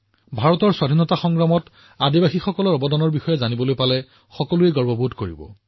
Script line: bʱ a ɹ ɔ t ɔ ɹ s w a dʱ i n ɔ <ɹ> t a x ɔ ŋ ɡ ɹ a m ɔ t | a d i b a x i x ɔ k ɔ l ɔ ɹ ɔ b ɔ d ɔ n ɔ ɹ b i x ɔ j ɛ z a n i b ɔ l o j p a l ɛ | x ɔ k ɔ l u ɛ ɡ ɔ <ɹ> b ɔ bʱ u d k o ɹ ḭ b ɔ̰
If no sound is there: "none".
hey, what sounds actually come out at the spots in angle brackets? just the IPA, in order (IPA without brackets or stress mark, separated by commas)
none, ɹ